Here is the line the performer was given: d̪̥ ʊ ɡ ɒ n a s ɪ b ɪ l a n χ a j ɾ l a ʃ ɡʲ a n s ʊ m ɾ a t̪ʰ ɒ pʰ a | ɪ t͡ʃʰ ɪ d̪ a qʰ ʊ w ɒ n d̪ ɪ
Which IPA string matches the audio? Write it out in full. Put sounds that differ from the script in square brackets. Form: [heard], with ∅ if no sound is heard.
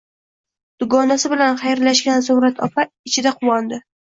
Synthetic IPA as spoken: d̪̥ ʊ ɡ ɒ n a s ɪ b ɪ l a n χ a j ɾ l a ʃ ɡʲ a n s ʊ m ɾ a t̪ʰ ɒ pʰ a | ɪ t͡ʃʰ ɪ d̪ a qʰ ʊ w ɒ n d̪ ɪ